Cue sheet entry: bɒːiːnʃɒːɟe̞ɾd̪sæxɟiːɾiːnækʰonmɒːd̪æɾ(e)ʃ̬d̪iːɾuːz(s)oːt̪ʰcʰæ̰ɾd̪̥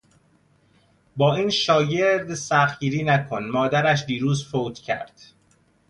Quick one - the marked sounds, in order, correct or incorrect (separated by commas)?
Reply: incorrect, incorrect